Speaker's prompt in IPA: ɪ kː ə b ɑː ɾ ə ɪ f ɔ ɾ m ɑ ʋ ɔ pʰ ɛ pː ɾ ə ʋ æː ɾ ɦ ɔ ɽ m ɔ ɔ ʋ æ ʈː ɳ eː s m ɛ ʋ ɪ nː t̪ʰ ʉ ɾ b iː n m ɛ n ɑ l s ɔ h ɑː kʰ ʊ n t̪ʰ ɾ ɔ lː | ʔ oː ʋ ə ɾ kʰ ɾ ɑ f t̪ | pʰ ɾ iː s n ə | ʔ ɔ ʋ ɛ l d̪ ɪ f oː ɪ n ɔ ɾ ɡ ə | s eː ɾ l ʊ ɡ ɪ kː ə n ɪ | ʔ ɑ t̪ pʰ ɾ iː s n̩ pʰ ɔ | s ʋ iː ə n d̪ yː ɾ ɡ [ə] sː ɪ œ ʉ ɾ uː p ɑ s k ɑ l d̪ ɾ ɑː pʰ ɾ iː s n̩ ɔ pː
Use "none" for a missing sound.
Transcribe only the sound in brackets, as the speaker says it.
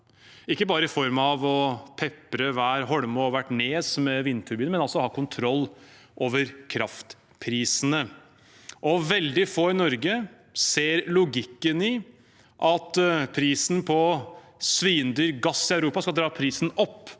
ɑ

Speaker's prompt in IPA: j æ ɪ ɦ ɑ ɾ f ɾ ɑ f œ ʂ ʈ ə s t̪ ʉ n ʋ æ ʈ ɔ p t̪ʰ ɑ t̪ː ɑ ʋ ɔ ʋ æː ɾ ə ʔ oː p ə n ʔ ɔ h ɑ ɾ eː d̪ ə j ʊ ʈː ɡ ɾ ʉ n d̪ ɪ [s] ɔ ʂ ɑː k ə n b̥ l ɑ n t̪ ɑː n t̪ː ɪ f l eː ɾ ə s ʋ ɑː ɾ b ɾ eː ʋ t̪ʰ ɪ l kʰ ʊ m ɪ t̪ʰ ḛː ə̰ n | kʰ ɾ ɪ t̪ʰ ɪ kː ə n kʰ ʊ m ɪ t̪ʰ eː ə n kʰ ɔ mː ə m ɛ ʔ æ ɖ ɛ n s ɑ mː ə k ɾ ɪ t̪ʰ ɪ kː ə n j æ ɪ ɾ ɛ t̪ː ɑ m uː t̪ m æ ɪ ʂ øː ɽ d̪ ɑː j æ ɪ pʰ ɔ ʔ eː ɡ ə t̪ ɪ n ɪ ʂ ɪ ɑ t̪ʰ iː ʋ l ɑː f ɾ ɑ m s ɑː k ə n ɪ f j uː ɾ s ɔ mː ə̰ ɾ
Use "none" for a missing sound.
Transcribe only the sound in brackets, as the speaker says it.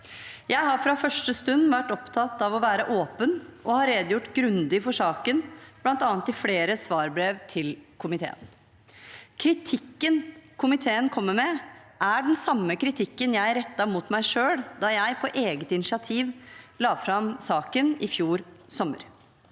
f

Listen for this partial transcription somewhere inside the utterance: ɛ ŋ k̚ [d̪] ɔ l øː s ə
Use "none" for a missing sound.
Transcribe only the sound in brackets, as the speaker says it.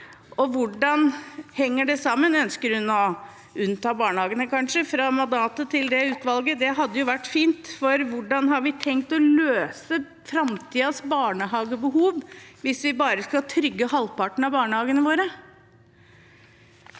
t̪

